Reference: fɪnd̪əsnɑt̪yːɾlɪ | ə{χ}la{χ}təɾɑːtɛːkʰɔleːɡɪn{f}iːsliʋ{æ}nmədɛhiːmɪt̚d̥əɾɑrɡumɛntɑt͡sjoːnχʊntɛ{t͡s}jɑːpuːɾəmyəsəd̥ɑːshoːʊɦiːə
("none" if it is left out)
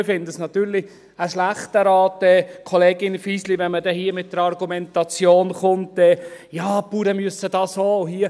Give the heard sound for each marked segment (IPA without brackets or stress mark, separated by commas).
ʃ, χ, f, ɛ, none